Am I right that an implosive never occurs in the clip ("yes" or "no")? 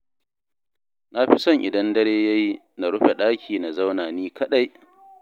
no